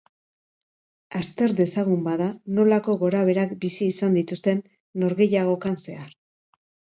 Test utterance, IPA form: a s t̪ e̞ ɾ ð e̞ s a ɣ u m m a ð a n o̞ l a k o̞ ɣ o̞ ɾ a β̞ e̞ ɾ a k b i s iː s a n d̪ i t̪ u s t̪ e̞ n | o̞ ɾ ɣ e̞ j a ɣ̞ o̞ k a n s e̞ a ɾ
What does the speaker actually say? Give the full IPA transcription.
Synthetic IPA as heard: a s t̪ e̞ ɾ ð e̞ s a ɣ u m b a ð a n o̞ l a k o̞ ɣ o̞ ɾ a β̞ e̞ ɾ a k b i s iː s a n d̪ i t̪ u s t̪ e̞ nː | o̞ ɾ ɣ e̞ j a ɣ̞ o̞ k a n s e̞ a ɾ